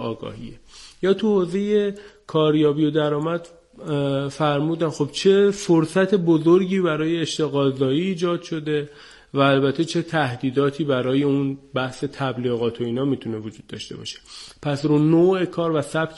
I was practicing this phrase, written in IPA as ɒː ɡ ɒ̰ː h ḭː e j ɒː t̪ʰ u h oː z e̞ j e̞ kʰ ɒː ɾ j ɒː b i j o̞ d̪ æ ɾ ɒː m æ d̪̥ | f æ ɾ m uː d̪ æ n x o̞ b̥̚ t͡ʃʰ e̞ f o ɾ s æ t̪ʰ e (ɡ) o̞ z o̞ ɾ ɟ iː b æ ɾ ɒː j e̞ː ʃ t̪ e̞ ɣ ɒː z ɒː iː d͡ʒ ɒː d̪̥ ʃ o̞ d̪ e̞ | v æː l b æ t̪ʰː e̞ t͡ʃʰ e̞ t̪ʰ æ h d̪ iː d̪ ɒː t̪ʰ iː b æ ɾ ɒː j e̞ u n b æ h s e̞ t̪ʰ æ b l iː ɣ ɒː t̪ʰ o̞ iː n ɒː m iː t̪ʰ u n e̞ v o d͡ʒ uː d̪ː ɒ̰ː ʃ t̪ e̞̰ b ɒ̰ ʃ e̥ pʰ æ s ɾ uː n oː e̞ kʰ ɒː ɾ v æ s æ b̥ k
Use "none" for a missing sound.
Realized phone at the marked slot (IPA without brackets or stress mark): b